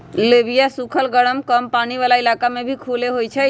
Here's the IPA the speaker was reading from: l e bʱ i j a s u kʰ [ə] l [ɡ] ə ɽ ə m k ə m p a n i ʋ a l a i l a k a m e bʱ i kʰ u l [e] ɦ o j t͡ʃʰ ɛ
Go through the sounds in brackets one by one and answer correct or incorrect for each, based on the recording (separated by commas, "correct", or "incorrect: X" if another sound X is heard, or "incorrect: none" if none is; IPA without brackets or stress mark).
correct, correct, correct